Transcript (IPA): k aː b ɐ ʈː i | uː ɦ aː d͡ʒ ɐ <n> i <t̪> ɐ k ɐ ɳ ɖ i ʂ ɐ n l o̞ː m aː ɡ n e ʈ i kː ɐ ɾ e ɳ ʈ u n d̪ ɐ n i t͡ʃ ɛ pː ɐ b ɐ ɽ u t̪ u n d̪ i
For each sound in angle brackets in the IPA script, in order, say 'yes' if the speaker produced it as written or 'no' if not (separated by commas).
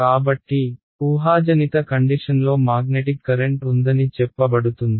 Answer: yes, yes